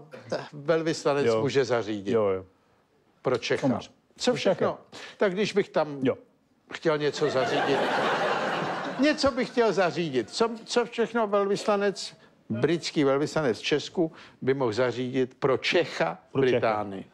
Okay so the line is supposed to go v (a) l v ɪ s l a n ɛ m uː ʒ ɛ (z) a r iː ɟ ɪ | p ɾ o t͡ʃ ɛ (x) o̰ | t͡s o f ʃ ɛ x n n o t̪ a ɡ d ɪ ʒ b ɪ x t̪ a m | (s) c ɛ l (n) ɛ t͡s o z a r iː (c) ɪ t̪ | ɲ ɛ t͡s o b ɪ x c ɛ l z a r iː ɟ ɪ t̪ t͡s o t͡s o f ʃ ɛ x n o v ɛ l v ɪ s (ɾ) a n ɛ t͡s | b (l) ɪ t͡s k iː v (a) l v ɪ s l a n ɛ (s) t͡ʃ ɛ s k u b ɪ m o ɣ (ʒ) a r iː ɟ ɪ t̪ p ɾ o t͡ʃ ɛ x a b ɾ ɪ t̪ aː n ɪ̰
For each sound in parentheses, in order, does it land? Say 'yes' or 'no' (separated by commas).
no, yes, yes, no, no, no, no, no, no, no, no